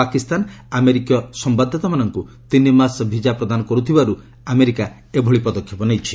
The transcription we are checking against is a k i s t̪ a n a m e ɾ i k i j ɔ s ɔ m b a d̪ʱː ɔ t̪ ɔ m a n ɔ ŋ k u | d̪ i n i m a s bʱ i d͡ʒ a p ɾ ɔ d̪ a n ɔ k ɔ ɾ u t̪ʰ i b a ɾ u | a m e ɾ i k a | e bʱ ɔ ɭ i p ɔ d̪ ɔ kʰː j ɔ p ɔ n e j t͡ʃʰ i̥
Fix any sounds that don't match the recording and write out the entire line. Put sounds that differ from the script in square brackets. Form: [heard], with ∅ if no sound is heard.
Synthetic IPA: a k i s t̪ a n a m e ɾ i k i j ɔ s ɔ m b a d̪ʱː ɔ t̪ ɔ m a n ɔ ŋ k u | [t̪] i n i m a s bʱ i d͡ʒ a p ɾ ɔ d̪ a n ɔ k ɔ ɾ u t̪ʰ i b a ɾ u | a m e ɾ i k a | e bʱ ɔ ɭ i p ɔ d̪ ɔ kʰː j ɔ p ɔ n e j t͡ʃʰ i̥